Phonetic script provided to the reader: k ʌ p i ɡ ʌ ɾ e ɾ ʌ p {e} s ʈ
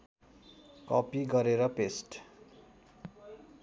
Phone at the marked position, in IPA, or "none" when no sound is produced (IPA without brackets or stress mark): e